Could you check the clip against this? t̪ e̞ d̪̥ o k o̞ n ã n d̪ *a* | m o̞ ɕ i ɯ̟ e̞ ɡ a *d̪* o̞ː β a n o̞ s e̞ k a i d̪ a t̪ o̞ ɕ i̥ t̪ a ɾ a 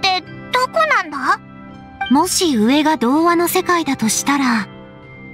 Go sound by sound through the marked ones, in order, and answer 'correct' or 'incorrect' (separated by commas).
correct, correct